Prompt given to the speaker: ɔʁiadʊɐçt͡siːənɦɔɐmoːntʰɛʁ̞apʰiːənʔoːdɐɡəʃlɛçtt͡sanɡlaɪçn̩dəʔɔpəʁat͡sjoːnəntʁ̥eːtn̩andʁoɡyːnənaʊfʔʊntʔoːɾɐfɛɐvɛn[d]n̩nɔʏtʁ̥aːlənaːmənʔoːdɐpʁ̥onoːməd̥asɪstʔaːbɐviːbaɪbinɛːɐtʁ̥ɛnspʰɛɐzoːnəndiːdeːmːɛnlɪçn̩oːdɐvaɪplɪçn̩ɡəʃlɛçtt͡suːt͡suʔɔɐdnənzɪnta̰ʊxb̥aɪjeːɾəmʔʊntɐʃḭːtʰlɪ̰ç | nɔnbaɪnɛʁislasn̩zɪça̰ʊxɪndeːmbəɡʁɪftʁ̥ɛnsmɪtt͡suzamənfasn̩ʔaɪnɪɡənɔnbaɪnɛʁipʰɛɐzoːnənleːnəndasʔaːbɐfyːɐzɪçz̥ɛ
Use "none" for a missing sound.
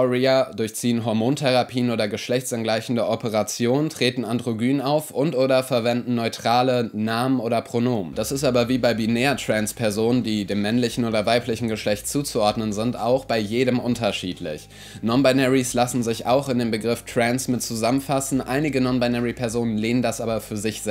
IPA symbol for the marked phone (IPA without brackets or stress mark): d